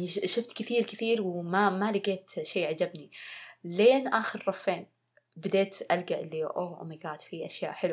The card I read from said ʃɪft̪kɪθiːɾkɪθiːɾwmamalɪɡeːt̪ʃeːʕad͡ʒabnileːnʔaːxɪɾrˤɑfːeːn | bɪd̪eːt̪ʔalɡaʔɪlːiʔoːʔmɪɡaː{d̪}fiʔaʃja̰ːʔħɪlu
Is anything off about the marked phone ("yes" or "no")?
yes